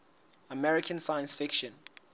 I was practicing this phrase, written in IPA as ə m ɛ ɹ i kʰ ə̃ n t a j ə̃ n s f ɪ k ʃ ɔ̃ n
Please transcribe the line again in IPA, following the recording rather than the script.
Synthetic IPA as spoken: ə m ɛ ɹ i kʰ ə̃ n s a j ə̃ n s f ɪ k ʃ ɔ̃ n